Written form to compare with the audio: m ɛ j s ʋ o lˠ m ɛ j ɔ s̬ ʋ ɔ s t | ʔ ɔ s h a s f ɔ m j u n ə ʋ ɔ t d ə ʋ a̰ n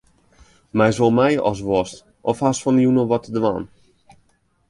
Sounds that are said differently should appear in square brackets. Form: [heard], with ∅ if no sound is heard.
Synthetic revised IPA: m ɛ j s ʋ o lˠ m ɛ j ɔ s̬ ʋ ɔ s t | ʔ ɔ [f] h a s f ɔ [n] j u n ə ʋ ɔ t d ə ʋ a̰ n